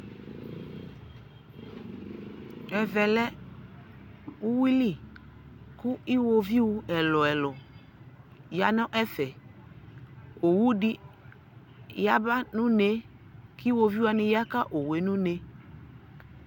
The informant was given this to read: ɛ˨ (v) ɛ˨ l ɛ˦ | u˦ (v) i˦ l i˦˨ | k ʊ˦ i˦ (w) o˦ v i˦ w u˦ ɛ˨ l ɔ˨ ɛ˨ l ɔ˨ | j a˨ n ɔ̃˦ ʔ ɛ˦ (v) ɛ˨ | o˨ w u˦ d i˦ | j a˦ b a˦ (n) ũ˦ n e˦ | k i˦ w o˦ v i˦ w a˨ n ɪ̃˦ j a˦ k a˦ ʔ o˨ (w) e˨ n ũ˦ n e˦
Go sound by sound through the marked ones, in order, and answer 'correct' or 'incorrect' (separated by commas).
correct, incorrect, correct, incorrect, correct, correct